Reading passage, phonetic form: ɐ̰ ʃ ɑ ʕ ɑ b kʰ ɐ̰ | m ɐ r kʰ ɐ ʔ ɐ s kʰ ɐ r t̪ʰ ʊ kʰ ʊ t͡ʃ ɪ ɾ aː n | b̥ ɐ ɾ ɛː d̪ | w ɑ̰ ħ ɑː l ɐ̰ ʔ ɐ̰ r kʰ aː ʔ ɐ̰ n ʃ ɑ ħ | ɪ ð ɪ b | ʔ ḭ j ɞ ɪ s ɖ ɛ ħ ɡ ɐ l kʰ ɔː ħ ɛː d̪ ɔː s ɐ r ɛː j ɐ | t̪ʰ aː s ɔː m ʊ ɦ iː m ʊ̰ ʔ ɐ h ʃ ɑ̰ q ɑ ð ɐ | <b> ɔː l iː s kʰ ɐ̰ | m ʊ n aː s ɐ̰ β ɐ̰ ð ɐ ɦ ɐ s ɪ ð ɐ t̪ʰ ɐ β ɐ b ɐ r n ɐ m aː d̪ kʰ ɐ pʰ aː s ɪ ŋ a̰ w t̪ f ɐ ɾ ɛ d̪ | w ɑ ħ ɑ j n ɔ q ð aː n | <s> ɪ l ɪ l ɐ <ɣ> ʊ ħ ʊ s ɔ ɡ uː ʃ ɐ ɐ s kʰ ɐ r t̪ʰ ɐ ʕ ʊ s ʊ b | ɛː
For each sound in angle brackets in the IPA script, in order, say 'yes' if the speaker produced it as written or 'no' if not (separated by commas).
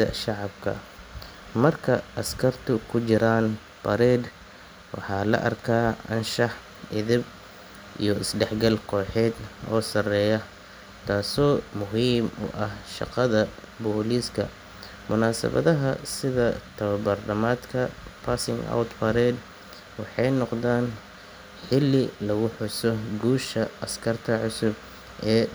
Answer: yes, no, yes